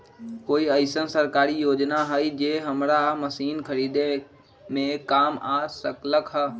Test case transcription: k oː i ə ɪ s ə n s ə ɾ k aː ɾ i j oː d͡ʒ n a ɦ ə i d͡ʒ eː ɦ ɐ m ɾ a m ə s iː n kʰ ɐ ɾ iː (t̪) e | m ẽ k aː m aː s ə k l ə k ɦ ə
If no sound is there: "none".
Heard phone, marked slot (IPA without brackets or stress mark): d̪